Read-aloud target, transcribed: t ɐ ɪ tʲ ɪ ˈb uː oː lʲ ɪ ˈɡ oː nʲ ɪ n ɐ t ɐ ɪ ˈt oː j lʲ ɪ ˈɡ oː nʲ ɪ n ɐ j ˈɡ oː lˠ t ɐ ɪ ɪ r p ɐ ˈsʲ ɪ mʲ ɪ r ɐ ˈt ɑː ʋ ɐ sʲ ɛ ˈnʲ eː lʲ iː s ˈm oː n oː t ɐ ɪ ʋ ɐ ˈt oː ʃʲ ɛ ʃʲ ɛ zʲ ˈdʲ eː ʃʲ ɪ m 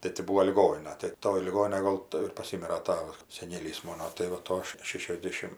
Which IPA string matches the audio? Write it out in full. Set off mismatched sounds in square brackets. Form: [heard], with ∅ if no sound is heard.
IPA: t ɐ ɪ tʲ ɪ ˈb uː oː lʲ ɪ ˈɡ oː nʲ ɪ n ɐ t ɐ ɪ ˈt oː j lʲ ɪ ˈɡ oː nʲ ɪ n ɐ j ˈɡ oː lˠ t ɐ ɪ ɪ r p ɐ ˈsʲ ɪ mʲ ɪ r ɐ ˈt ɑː ʋ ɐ sʲ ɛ ˈnʲ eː lʲ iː s ˈm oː n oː t ɐ ɪ ʋ ɐ ˈt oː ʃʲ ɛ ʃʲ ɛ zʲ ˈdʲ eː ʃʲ ɪ m